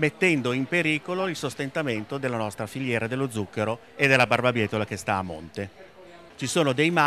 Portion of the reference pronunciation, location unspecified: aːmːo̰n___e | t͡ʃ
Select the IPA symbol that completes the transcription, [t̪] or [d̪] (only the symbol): t̪